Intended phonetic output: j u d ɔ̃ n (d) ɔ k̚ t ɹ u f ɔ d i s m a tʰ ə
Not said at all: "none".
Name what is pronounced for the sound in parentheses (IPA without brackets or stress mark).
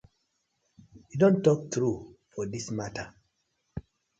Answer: t